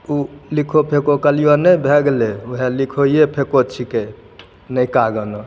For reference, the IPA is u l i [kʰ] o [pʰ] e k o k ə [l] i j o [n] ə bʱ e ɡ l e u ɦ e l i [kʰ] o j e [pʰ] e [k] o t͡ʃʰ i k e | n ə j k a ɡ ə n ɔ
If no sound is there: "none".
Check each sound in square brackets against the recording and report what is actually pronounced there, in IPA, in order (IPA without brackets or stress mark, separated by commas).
kʰ, pʰ, l, n, kʰ, pʰ, k